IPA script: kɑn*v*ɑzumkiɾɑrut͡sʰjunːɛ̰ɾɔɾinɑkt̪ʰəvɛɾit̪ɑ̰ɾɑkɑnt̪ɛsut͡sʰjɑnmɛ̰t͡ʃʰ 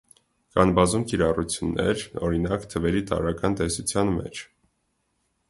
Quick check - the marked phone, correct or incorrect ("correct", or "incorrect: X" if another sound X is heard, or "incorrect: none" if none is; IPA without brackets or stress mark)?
incorrect: b